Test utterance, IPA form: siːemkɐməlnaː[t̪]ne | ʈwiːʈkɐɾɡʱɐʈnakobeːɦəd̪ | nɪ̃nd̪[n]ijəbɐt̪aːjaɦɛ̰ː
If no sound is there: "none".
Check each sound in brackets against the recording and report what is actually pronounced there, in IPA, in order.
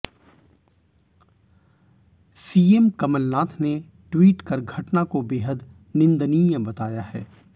t̪ʰ, n

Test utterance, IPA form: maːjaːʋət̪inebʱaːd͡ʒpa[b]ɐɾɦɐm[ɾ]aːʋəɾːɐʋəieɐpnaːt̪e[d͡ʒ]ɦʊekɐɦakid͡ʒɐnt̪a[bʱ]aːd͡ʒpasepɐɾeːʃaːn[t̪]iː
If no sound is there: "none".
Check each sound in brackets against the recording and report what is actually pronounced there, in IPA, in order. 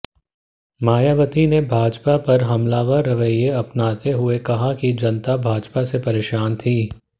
p, l, none, bʱ, t̪ʰ

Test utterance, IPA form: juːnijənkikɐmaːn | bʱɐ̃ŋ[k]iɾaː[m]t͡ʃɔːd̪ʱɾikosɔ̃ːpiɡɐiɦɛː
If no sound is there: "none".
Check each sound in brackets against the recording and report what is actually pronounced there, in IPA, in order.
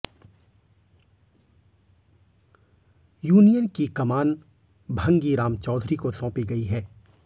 ɡ, m

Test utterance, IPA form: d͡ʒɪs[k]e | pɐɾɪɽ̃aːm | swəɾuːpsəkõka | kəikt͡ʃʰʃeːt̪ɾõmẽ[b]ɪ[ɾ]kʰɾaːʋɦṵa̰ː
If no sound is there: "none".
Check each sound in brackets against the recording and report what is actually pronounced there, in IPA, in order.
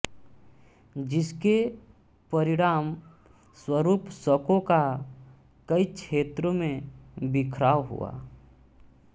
k, b, none

